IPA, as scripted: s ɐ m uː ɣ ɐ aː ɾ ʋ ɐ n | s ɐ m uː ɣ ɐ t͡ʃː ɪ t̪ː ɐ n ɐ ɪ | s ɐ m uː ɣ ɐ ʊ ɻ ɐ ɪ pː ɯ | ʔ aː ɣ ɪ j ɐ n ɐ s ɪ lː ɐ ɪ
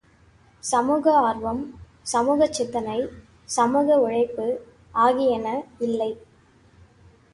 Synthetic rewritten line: s ɐ m uː ɣ ɐ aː ɾ ʋ ɐ m | s ɐ m uː ɣ ɐ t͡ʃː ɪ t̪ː ɐ n ɐ ɪ | s ɐ m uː ɣ ɐ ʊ ɻ ɐ ɪ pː ɯ | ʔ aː ɣ ɪ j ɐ n ɐ ɪ lː ɐ ɪ